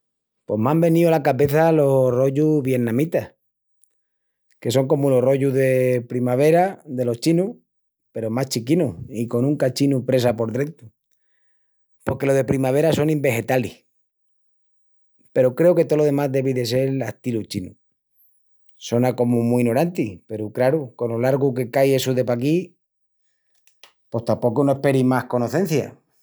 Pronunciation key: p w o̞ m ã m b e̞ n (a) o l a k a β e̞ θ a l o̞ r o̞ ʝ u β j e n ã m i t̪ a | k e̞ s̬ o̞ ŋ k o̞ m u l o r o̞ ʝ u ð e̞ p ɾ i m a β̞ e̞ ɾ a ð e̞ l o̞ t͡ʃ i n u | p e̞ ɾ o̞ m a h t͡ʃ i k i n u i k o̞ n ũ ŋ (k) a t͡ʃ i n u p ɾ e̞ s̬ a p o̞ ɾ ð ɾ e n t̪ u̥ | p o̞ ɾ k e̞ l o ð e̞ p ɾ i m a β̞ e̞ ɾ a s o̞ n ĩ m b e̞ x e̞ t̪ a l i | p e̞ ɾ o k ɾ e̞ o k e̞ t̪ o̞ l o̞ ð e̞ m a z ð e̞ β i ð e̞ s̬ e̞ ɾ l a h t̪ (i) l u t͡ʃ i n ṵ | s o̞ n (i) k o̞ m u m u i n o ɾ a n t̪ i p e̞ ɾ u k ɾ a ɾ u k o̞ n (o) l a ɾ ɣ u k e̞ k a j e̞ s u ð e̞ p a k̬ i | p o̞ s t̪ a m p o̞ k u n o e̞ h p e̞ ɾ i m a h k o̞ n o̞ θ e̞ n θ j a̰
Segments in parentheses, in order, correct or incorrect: incorrect, correct, correct, incorrect, correct

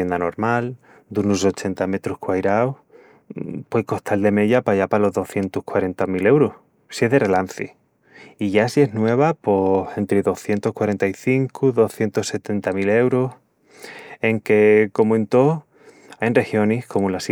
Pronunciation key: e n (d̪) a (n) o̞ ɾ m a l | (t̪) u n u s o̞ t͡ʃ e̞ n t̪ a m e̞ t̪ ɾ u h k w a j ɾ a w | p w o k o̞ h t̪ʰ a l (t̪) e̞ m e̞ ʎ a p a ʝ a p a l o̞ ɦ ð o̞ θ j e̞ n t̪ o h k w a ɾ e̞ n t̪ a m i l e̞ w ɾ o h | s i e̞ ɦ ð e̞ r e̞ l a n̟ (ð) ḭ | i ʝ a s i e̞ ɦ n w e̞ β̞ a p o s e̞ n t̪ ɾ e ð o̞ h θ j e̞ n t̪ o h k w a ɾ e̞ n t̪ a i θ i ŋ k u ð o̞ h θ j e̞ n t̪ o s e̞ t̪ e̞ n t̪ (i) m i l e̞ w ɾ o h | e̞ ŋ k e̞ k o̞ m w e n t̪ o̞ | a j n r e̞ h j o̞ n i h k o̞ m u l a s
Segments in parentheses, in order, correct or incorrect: correct, correct, incorrect, incorrect, incorrect, incorrect

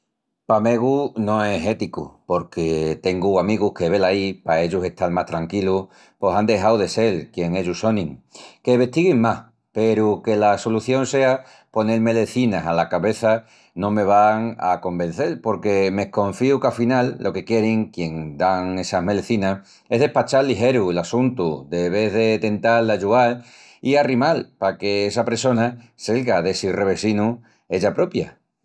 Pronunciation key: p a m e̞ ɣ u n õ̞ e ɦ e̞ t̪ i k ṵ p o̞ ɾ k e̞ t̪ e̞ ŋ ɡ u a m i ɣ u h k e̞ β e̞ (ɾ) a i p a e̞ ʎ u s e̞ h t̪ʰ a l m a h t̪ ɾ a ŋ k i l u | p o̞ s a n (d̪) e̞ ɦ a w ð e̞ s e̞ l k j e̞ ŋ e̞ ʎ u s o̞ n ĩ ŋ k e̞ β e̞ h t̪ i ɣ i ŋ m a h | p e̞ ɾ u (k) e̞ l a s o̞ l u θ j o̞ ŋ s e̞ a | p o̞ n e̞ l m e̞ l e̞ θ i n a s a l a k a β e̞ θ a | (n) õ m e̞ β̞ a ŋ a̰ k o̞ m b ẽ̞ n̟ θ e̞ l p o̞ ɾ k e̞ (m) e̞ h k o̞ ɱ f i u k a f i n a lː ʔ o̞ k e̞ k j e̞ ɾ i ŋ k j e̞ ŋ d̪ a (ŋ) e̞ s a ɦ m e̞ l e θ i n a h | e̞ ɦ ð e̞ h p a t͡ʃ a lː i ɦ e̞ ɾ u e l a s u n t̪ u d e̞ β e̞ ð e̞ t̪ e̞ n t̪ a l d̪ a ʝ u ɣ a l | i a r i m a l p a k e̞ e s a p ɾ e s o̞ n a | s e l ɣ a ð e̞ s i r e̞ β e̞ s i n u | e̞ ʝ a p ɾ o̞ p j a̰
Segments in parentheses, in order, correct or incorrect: incorrect, correct, correct, correct, correct, correct

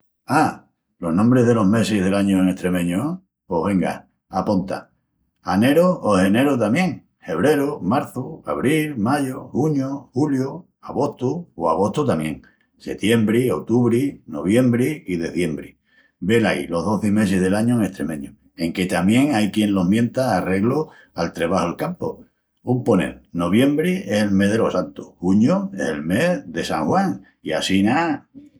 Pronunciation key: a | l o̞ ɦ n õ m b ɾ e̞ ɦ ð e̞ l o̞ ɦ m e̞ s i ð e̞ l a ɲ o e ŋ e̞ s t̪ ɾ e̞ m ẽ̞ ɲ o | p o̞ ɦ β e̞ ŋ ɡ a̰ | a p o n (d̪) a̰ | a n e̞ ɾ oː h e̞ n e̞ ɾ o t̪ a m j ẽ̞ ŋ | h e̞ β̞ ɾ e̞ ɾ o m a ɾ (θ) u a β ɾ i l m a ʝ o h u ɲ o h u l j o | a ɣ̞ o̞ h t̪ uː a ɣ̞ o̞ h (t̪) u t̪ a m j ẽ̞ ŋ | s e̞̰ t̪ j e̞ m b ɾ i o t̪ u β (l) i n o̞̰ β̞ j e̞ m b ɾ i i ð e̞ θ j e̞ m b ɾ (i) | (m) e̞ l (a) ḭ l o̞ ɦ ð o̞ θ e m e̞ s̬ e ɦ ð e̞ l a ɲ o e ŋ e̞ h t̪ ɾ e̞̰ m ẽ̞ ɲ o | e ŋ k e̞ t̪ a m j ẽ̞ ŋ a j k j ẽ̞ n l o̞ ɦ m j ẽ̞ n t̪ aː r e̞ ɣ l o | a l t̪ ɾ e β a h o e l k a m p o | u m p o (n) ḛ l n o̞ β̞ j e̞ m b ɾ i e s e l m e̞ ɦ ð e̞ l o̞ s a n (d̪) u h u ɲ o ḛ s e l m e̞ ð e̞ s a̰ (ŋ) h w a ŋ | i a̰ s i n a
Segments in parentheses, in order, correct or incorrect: incorrect, correct, correct, incorrect, correct, incorrect, correct, correct, incorrect, correct

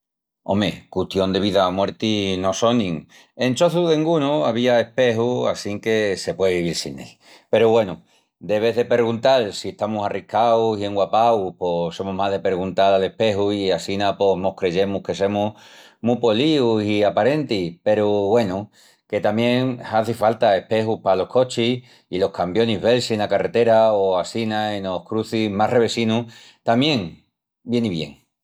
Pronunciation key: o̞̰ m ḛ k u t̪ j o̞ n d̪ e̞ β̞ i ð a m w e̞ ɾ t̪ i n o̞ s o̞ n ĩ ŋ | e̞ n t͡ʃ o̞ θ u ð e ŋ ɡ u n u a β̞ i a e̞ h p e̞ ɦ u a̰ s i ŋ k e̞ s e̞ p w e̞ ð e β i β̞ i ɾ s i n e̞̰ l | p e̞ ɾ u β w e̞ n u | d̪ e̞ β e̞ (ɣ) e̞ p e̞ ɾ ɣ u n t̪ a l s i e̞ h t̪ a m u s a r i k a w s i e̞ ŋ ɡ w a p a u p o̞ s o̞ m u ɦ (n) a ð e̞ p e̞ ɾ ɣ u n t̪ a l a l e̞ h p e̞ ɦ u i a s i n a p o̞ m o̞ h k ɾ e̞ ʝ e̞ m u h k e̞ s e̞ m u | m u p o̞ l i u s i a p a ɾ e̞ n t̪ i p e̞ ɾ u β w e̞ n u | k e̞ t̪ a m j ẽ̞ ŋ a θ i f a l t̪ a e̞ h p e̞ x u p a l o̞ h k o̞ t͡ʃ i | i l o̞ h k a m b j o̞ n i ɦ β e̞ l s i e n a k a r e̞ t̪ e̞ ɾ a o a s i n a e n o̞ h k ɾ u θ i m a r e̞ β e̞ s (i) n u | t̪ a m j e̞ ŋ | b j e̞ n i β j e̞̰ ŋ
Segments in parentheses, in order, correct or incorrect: incorrect, incorrect, correct

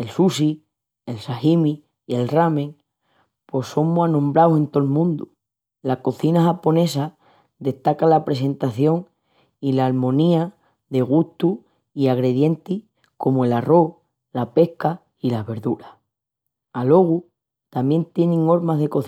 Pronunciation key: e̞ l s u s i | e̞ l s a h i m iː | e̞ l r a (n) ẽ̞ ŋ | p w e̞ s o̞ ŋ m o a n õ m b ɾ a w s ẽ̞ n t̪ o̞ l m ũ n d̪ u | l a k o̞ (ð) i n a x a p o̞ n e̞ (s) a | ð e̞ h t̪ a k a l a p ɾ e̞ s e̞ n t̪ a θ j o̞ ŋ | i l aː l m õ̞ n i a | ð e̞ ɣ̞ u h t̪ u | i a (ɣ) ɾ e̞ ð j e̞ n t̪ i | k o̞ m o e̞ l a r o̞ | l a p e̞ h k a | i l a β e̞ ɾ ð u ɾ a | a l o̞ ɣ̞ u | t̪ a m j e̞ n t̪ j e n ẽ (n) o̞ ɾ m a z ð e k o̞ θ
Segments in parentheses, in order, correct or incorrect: incorrect, incorrect, correct, correct, incorrect

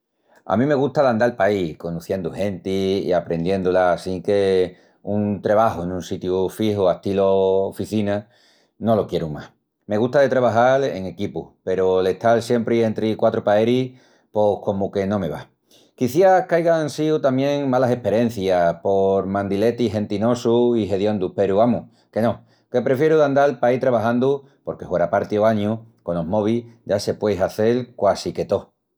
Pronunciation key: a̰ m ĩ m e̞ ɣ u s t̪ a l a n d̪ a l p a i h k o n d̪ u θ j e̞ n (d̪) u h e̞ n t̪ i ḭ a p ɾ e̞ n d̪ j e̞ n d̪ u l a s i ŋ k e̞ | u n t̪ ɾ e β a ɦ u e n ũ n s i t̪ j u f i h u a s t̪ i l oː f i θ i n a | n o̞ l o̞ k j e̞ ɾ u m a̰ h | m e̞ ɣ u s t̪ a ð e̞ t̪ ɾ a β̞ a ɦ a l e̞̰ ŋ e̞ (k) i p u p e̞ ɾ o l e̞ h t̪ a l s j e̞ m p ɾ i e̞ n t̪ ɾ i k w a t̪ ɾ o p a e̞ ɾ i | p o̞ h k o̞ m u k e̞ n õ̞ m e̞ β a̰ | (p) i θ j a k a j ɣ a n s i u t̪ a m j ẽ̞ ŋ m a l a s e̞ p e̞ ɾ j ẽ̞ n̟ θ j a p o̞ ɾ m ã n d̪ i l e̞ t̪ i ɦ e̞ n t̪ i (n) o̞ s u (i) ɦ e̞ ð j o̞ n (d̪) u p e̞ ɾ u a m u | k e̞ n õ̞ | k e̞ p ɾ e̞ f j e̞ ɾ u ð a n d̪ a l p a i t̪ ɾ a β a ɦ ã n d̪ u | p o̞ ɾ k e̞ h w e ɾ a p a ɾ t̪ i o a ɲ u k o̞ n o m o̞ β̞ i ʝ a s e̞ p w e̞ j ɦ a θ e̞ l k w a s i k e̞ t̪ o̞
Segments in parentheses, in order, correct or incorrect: correct, correct, incorrect, correct, correct, correct

